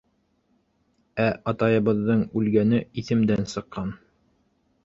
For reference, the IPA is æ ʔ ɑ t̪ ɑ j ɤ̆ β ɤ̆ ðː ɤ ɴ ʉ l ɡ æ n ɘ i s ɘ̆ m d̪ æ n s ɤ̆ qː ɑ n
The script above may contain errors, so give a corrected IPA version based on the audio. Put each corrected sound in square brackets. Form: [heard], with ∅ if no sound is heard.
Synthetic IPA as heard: æ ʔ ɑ t̪ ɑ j ɤ̆ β ɤ̆ ðː ɤ ɴ ʉ l ɡ æ n ɘ i [θ] ɘ̆ m d̪ æ n s ɤ̆ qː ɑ n